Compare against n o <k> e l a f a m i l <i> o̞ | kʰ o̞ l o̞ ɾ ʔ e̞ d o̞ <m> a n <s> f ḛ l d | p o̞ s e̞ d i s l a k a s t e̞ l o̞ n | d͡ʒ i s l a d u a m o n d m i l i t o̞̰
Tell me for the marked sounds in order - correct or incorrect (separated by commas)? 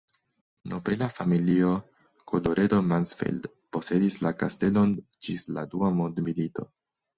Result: incorrect, correct, correct, correct